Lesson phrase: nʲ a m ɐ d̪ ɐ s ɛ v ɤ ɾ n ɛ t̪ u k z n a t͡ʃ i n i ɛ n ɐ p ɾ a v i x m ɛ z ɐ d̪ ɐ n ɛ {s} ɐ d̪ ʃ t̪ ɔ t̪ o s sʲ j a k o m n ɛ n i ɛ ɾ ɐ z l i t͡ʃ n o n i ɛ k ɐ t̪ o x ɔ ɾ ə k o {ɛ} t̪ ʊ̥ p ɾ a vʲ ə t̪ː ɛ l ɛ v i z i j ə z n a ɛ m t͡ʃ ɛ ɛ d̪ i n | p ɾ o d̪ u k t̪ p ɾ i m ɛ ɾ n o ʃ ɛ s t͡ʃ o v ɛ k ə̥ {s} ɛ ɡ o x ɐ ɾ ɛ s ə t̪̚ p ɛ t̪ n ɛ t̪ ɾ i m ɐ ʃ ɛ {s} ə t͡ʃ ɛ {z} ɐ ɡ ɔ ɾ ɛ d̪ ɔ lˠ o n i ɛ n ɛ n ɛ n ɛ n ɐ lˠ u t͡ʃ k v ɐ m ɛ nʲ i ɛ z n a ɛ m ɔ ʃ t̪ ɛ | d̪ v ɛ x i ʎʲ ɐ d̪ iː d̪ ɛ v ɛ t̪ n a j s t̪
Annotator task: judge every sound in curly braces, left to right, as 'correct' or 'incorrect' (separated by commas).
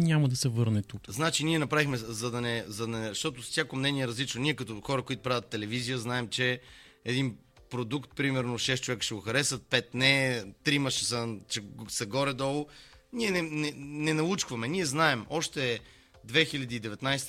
incorrect, incorrect, incorrect, correct, incorrect